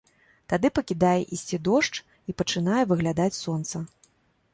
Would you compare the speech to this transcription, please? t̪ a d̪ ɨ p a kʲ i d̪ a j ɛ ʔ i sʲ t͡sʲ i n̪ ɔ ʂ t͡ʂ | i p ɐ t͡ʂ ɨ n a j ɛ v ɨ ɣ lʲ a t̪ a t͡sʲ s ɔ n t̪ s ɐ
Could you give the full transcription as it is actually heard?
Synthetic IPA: t̪ a d̪ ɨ p ɐ kʲ i d̪ a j ɛ ʔ i sʲ t͡sʲ i d̪ ɔ ʂ t͡ʂ | i p ɐ t͡ʂ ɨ n a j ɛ v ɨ ɣ lʲ a d̪ a t͡sʲ s ɔ n t̪ s ɐ